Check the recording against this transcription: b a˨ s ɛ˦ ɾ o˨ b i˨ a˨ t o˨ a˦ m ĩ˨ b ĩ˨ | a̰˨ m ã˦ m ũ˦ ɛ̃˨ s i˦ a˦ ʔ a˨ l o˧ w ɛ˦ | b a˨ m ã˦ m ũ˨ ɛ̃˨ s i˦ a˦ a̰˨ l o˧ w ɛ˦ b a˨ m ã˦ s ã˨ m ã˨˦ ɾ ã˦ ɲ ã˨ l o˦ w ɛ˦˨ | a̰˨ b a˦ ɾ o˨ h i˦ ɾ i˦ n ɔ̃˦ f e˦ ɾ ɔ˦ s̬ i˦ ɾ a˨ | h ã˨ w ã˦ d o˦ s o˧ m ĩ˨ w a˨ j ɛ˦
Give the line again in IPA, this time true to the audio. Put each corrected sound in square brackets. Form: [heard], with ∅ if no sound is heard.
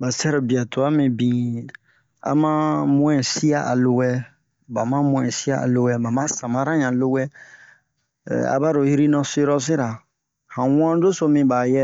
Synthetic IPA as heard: b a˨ s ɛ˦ ɾ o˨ b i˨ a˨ t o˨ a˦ m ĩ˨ b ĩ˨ | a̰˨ m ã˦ m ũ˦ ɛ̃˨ s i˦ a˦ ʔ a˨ l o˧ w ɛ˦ | b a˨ m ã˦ m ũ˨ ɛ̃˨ s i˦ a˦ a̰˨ l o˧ w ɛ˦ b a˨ m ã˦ s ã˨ m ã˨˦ ɾ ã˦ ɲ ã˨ l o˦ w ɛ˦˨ | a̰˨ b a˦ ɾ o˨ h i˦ ɾ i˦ n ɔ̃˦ [s] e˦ ɾ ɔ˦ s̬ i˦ ɾ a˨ | h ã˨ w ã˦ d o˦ s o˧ m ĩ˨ [b] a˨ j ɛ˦